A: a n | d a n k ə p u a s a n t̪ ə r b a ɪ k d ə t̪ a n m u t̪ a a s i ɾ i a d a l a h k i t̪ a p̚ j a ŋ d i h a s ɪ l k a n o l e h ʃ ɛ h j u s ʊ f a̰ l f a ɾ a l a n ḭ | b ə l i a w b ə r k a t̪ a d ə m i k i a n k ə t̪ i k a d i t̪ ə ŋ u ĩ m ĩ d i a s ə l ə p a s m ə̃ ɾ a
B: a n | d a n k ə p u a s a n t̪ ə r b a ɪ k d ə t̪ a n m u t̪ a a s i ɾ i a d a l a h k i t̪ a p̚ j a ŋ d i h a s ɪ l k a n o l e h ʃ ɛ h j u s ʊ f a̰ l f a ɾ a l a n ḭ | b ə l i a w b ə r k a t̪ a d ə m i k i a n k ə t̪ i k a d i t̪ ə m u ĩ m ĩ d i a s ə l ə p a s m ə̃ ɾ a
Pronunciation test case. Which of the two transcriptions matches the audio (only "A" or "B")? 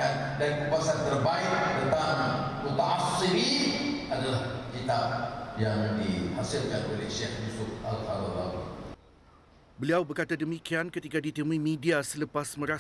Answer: B